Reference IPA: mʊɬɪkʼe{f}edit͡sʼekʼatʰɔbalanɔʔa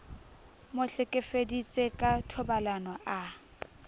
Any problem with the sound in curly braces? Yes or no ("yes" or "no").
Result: no